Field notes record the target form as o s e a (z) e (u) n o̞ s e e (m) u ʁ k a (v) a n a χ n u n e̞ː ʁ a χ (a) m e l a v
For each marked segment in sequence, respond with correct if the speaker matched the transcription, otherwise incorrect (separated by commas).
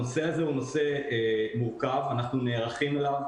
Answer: correct, correct, correct, correct, incorrect